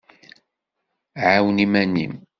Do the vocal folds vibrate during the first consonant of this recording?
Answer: yes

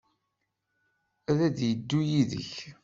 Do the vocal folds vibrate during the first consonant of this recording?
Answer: yes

